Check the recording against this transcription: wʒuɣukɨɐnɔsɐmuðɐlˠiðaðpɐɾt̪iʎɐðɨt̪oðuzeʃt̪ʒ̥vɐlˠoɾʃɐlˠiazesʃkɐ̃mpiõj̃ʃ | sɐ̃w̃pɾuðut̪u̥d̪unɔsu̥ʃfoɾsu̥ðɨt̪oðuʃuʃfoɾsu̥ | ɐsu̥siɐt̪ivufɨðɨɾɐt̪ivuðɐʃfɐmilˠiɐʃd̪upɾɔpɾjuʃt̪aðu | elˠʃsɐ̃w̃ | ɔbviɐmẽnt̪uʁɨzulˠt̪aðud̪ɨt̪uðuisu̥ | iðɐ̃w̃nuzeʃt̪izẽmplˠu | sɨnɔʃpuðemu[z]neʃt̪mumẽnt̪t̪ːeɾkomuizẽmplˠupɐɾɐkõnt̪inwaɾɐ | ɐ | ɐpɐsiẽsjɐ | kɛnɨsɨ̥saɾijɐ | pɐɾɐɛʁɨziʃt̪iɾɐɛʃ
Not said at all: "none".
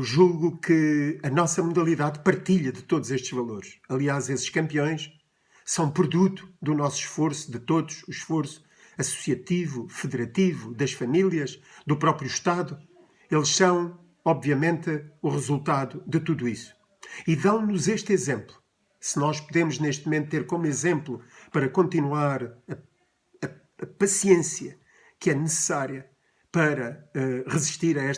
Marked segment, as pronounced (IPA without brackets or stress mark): ʒ